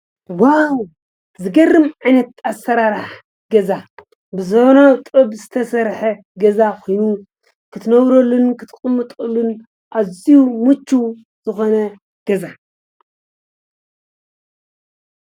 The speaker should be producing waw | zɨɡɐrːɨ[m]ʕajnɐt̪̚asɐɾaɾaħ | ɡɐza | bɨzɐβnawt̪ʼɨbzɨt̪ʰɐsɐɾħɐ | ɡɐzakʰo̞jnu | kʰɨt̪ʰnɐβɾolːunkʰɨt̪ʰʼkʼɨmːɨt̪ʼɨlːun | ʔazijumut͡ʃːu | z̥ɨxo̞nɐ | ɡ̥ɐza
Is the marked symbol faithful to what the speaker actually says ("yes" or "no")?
yes